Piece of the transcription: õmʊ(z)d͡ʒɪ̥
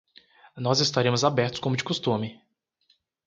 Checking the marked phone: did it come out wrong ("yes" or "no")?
yes